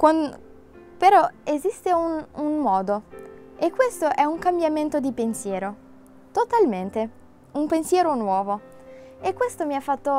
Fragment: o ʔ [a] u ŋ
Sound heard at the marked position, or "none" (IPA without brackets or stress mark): ɛ